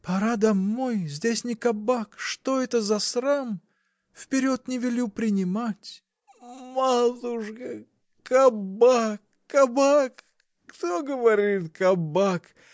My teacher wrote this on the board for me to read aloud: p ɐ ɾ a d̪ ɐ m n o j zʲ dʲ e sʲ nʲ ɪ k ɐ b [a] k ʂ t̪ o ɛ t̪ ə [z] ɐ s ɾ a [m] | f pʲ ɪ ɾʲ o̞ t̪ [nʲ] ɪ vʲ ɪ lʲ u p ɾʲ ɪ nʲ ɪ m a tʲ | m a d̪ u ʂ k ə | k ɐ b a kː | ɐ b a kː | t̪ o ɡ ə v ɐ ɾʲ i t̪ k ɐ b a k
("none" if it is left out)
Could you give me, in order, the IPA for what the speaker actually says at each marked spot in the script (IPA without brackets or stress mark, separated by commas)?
a, z, m, nʲ